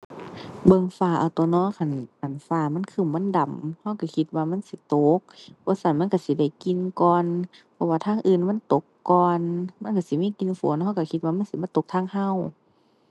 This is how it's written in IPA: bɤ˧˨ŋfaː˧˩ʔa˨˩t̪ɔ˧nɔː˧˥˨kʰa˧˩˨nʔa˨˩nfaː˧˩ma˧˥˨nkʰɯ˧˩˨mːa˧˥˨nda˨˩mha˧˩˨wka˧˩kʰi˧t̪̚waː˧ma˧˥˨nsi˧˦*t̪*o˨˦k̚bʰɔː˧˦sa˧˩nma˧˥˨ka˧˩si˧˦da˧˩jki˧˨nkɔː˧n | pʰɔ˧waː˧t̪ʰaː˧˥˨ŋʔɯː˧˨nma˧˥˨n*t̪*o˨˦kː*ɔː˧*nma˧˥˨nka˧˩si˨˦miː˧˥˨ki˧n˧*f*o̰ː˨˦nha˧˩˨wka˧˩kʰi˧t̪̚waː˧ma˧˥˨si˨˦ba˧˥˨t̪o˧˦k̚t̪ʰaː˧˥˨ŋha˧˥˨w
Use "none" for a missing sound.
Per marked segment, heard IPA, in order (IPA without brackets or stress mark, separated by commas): t̪, t̪, ɔː˧, f